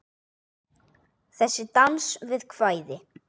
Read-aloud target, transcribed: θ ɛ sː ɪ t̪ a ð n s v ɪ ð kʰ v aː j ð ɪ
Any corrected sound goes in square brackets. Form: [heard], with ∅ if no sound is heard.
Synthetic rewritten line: θ ɛ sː ɪ t̪ a [∅] n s v ɪ ð kʰ v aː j ð ɪ